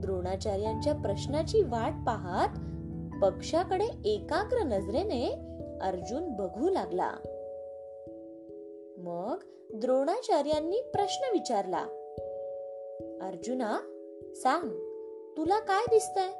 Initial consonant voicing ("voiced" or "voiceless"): voiced